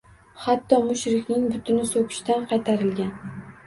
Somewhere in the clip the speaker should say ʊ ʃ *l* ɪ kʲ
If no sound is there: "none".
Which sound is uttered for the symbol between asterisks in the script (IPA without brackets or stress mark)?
ɾ